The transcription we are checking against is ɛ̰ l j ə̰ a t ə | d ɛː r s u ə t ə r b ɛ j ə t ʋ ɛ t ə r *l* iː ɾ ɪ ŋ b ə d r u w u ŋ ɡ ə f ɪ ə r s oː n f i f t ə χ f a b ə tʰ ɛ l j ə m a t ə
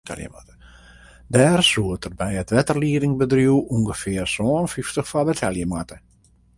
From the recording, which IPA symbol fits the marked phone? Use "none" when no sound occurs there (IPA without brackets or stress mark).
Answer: l